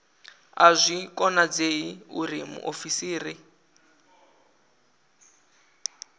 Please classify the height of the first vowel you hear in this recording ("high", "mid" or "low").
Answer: low